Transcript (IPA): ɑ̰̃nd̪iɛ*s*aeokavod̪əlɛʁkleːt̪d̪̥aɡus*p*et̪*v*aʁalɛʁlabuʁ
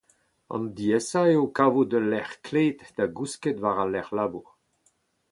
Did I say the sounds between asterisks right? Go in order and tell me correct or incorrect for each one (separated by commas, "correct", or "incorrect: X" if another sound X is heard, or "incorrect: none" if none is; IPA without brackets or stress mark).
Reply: correct, incorrect: k, correct